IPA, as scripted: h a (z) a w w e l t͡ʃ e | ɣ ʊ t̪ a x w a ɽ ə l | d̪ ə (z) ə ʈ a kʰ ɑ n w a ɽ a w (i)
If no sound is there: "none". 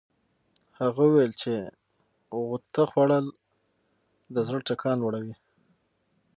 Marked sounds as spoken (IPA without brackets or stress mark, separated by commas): ɣ, z, i